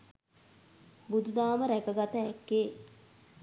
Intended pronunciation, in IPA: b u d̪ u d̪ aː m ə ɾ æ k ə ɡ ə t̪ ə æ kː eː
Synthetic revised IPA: b u d̪ u d̪ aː m ə ɾ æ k ə ɡ a t̪ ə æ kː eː